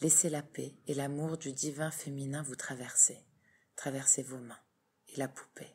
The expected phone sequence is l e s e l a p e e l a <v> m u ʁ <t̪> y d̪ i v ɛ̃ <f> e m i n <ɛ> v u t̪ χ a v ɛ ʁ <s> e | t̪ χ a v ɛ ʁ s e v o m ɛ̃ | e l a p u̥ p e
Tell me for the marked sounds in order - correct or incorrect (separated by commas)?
incorrect, incorrect, correct, incorrect, correct